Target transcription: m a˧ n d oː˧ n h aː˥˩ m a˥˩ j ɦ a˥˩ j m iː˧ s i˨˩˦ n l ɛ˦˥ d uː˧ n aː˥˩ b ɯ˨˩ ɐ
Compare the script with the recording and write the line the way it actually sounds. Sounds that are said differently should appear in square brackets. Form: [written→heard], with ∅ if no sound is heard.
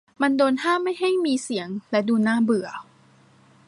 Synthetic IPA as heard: m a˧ n d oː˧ n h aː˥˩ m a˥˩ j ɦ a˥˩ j m iː˧ s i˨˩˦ [n→ŋ] l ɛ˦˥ d uː˧ n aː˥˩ b ɯ˨˩ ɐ